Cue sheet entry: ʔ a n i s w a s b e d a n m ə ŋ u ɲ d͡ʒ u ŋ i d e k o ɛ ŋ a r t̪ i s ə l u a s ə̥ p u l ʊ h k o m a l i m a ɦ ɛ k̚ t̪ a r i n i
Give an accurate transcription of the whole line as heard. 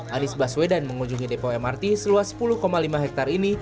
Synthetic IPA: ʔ a n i s b a s w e d a n m ə ŋ u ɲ d͡ʒ u ŋ i d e p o ɛ m a r t̪ i s ə l u a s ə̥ p u l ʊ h k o m a l i m a ɦ ɛ k̚ t̪ a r i n i